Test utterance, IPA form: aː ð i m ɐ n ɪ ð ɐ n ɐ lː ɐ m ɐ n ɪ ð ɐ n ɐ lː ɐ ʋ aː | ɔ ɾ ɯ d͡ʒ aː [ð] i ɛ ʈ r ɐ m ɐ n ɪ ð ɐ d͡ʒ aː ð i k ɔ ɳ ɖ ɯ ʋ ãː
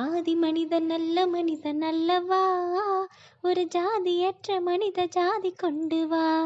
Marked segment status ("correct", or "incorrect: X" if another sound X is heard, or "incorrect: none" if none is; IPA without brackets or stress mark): correct